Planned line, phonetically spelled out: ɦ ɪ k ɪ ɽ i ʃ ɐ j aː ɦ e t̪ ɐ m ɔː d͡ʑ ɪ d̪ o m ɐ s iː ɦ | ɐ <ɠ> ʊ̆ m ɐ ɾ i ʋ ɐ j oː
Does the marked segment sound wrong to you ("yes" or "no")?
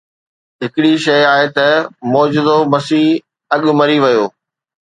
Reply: no